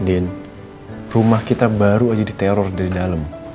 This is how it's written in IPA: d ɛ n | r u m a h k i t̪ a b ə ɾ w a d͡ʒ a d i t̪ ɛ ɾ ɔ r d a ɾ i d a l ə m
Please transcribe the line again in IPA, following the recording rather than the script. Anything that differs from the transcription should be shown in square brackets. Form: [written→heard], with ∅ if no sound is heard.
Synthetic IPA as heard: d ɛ n | r u m a h k i t̪ a b [ə→a] ɾ [w→u] a d͡ʒ a d i t̪ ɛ ɾ ɔ r d a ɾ i d a l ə m